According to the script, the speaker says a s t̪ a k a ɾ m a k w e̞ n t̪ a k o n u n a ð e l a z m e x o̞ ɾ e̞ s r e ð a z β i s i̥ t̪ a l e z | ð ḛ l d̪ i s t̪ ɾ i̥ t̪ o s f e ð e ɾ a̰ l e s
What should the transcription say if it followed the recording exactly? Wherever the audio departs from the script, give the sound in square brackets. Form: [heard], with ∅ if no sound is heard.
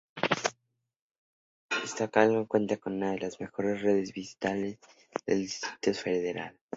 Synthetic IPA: [e] s t̪ a k a [l] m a k w e̞ n t̪ a k o n u n a ð e l a z m e x o̞ ɾ e̞ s r e ð [e] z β i s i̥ t̪ a l e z | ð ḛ l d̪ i s t̪ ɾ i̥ t̪ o s f e ð e ɾ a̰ l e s